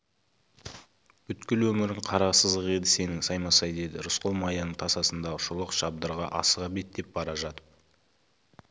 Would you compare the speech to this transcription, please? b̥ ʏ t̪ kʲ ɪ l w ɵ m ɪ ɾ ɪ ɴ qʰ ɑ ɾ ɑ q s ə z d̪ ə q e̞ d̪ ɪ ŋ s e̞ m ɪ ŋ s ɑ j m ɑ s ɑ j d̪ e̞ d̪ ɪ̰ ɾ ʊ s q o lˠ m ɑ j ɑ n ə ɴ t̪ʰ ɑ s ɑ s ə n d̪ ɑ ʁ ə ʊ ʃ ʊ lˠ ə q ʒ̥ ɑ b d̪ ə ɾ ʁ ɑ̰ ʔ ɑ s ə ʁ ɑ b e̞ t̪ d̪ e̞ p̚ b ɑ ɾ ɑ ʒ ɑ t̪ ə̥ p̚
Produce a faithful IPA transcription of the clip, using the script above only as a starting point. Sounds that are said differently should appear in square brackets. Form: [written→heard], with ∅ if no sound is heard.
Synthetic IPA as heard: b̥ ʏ t̪ kʲ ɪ l w ɵ m ɪ ɾ ɪ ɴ qʰ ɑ ɾ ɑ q s ə z d̪ ə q e̞ d̪ ɪ [ŋ→∅] s e̞ [m→n] ɪ ŋ s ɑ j m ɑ s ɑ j d̪ e̞ d̪ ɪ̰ ɾ ʊ s q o lˠ m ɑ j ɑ n ə ɴ t̪ʰ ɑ s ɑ s ə n d̪ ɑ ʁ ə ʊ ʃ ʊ lˠ ə q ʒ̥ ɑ b d̪ ə ɾ ʁ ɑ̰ ʔ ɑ s ə ʁ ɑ b e̞ t̪ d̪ e̞ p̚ b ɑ ɾ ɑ ʒ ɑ t̪ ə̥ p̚

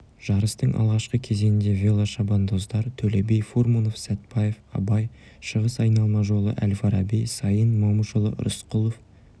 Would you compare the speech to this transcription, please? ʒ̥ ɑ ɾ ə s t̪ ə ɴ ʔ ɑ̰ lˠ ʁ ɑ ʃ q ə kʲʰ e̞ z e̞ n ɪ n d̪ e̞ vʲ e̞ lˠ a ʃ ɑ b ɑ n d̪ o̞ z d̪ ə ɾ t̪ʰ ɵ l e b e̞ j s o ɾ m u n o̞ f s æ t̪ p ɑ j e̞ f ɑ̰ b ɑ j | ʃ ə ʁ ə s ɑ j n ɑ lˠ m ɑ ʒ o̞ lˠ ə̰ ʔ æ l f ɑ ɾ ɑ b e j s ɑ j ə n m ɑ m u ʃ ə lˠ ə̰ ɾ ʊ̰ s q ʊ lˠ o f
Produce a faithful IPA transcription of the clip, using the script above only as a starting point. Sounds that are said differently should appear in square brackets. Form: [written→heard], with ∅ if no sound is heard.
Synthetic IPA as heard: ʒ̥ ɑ ɾ ə s t̪ ə ɴ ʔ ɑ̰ lˠ ʁ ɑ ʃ q ə kʲʰ e̞ z e̞ n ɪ n d̪ e̞ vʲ e̞ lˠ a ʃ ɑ b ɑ n d̪ o̞ z d̪ [ə→ɑ] ɾ t̪ʰ ɵ l e b e̞ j [s→f] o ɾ m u n o̞ f s æ t̪ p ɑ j e̞ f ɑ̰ b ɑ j | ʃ ə ʁ ə s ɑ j n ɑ lˠ m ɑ ʒ o̞ lˠ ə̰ ʔ æ l f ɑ ɾ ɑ b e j s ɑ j ə n m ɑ m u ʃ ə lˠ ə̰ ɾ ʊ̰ s q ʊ lˠ o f

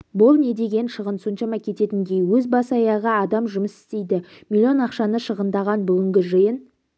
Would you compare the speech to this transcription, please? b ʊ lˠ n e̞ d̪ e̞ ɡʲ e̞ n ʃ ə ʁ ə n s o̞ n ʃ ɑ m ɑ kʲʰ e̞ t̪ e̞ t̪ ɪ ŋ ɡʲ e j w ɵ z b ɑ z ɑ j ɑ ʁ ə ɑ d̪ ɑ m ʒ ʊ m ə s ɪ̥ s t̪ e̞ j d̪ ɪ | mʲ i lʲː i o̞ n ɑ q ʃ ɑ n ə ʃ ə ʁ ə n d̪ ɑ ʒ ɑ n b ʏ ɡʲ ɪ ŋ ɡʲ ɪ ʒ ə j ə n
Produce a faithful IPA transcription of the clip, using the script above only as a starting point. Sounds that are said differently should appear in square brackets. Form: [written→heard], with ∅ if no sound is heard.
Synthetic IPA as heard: b ʊ lˠ n e̞ d̪ e̞ ɡʲ e̞ n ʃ ə ʁ ə n s o̞ n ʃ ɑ m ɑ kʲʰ e̞ t̪ e̞ t̪ ɪ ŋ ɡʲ e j w ɵ z b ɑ [z→s] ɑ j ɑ ʁ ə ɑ d̪ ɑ m ʒ ʊ m ə s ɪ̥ s t̪ e̞ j d̪ ɪ | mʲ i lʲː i o̞ n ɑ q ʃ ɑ n ə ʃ ə ʁ ə n d̪ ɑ [ʒ→ʁ] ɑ n b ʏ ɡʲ ɪ ŋ ɡʲ ɪ ʒ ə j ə n

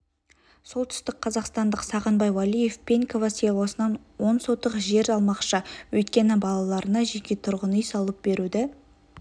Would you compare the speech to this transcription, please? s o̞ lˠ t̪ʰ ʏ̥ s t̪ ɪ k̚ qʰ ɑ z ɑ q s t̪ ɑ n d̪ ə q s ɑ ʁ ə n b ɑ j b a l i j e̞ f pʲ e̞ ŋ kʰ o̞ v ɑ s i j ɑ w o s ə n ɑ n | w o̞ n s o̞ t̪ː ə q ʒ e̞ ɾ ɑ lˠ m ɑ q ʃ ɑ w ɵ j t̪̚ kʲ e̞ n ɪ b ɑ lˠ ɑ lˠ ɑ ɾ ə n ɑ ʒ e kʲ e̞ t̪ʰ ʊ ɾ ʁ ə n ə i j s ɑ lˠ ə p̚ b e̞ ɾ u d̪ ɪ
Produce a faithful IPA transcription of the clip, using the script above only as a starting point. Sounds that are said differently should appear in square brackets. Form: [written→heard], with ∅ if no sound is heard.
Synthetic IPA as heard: s o̞ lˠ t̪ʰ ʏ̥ s t̪ ɪ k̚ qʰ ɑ z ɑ q s t̪ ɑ n d̪ ə q s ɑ ʁ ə n b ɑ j [b→w] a l i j e̞ f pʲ e̞ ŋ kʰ o̞ v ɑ s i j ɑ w o s ə n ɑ n | w o̞ n s o̞ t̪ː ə q ʒ e̞ ɾ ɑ lˠ m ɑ q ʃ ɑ w ɵ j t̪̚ kʲ e̞ n ɪ b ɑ lˠ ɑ lˠ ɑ ɾ ə n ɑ ʒ e kʲ e̞ t̪ʰ ʊ ɾ ʁ ə n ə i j s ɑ lˠ ə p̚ b e̞ ɾ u d̪ ɪ

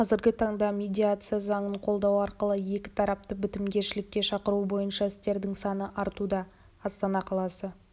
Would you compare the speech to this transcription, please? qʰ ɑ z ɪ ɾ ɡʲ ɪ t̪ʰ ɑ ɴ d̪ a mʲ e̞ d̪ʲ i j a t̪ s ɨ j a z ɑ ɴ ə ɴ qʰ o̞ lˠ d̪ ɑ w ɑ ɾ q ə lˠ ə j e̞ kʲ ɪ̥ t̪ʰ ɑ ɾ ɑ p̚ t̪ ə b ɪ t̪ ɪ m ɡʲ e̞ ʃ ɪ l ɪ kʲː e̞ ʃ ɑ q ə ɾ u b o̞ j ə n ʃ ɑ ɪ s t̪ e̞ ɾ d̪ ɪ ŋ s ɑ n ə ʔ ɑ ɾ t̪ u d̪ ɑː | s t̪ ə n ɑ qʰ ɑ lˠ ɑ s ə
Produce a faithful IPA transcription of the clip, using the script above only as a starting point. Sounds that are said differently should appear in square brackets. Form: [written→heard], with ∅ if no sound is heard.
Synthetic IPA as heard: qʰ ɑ z ɪ ɾ ɡʲ ɪ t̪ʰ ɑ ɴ d̪ [a→ɑ] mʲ e̞ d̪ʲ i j a t̪ s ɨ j a z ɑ ɴ ə ɴ qʰ o̞ lˠ d̪ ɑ w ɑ ɾ q ə lˠ ə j e̞ kʲ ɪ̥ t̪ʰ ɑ ɾ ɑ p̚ t̪ ə b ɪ t̪ ɪ m ɡʲ e̞ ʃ ɪ l ɪ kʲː e̞ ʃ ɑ q ə ɾ u b o̞ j ə n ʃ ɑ ɪ s t̪ e̞ ɾ d̪ ɪ ŋ s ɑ n ə ʔ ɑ ɾ t̪ u d̪ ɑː | s t̪ [ə→ɑ] n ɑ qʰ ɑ lˠ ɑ s ə

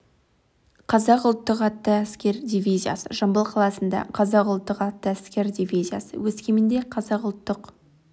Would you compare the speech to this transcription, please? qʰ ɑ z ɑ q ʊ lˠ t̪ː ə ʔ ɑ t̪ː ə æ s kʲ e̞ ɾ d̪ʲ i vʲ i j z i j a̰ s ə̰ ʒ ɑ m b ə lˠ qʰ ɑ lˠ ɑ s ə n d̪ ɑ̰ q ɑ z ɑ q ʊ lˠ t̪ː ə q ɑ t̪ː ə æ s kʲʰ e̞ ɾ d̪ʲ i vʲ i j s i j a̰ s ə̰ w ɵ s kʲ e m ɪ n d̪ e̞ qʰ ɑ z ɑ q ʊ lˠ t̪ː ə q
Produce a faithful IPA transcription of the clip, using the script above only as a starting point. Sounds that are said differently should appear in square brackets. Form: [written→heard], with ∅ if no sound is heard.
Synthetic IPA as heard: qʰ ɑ z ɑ q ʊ lˠ t̪ː ə [ʔ→q] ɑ t̪ː ə æ s kʲ e̞ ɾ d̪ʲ i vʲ i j z i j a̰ s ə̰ ʒ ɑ m b ə lˠ qʰ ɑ lˠ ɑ s ə n d̪ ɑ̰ [q→qʰ] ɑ z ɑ q ʊ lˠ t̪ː ə q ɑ t̪ː ə æ s [kʲʰ→kʲ] e̞ ɾ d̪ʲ i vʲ i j [s→z] i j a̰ s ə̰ w ɵ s kʲ e m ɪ n d̪ e̞ qʰ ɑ z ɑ q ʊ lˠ t̪ː ə q

